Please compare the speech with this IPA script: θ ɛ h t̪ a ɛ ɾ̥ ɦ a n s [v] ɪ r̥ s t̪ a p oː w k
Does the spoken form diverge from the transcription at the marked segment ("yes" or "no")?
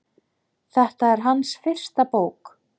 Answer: yes